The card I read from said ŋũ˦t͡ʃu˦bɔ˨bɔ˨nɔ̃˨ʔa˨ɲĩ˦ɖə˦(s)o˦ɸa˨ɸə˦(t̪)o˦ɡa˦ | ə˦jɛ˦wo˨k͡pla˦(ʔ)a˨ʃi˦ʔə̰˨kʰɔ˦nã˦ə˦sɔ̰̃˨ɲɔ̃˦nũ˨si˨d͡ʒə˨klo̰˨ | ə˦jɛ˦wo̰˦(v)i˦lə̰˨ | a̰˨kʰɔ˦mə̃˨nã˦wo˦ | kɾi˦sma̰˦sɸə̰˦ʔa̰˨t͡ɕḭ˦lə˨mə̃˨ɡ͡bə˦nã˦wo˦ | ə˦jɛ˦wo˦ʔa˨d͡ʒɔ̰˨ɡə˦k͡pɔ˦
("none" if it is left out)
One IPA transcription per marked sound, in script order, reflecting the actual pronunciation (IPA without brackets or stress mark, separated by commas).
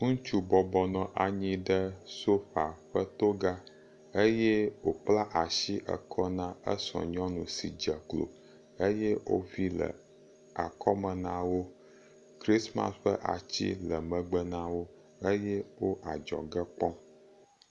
s, t̪, ʔ, v